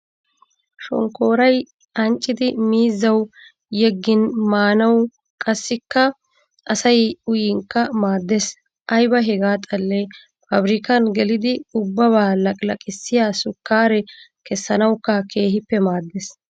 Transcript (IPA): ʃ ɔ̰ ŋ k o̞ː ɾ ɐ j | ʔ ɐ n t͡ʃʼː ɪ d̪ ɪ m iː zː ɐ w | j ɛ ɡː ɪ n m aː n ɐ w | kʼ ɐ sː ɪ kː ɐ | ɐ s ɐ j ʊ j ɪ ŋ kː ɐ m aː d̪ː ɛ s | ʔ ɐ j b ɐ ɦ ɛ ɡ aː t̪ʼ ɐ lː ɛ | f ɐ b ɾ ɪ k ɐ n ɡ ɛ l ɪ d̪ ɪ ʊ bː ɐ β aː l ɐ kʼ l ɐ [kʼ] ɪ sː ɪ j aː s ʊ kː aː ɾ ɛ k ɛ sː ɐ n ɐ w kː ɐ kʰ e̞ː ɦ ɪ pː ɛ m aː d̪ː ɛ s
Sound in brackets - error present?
no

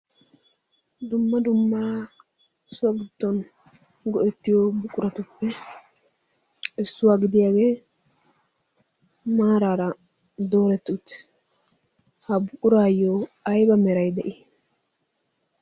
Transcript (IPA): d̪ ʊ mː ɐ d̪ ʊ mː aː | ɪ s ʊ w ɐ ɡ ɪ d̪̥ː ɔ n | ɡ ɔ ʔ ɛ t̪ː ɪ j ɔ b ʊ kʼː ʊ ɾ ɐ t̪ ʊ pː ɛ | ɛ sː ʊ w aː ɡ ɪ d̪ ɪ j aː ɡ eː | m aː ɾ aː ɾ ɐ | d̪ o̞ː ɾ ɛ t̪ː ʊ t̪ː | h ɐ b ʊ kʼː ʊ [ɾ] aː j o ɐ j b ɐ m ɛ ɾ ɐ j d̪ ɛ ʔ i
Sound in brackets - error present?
no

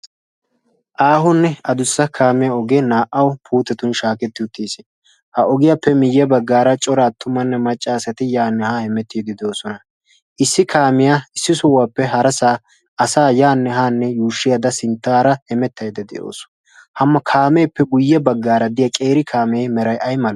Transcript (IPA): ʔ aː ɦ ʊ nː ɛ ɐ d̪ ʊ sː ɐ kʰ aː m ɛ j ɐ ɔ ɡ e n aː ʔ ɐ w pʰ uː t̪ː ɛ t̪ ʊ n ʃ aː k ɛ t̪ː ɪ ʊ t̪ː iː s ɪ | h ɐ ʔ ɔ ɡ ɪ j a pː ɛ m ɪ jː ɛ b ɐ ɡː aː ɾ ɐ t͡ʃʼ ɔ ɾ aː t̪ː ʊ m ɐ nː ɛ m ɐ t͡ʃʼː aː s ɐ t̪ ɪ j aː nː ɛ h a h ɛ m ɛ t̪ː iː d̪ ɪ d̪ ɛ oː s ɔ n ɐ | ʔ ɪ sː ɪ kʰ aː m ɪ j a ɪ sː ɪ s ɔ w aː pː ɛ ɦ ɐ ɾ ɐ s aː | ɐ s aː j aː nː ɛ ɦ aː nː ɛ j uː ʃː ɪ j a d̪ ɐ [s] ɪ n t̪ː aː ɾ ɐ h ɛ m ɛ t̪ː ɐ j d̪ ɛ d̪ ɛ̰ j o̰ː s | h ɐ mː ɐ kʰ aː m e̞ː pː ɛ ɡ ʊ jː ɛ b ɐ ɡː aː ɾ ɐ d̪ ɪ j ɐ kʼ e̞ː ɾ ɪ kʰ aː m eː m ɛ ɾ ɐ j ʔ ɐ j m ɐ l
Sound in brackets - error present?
no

